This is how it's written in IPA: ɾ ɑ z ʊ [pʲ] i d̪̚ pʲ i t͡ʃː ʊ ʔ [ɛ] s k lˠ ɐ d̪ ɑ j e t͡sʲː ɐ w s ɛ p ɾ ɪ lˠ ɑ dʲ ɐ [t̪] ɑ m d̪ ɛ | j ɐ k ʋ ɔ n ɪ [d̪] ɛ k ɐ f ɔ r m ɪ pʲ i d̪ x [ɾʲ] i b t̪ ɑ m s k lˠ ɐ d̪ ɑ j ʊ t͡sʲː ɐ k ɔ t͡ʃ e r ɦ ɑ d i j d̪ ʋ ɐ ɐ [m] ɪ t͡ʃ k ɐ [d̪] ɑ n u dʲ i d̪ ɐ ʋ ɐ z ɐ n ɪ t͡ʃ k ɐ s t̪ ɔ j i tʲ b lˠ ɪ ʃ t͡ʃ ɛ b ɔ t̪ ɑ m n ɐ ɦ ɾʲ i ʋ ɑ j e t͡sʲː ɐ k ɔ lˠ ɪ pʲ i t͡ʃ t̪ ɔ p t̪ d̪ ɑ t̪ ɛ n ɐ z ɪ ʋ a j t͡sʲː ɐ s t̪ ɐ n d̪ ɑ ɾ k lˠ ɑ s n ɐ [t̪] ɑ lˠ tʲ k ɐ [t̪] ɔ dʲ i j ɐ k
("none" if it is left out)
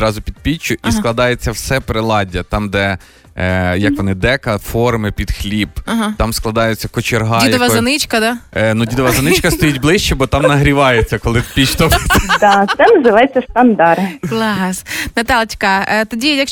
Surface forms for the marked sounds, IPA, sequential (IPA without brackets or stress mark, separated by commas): pʲ, i, t̪, d̪, lʲ, n, d̪, t̪, t̪